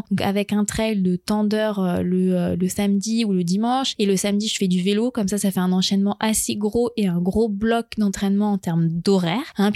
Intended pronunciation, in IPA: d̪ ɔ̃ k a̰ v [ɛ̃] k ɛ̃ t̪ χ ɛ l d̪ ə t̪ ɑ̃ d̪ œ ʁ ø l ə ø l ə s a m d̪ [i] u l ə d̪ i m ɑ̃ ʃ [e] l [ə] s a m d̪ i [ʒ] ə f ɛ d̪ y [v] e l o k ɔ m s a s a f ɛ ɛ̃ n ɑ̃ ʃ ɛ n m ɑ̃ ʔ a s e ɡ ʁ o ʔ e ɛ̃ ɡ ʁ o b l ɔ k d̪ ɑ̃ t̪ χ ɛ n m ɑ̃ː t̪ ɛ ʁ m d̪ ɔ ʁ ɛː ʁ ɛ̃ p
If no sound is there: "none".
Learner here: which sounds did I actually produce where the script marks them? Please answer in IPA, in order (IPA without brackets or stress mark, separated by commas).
ɛ, i, e, ə, ʒ, v